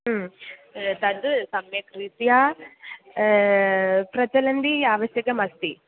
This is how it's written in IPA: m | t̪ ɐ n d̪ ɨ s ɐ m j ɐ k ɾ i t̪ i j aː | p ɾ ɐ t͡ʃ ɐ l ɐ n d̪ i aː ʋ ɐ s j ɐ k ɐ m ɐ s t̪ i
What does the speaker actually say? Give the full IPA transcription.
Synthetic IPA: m | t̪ ɐ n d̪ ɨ s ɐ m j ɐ k ɾ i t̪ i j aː | p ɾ ɐ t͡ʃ ɐ l ɐ n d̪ i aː ʋ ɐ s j ɐ k ɐ m ɐ s t̪ i